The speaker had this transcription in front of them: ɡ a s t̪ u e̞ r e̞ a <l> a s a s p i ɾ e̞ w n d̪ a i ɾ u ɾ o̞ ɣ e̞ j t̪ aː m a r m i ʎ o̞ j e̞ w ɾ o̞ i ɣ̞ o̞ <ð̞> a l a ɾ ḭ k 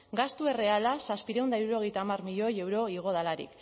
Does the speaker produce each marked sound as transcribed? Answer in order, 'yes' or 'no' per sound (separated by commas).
yes, yes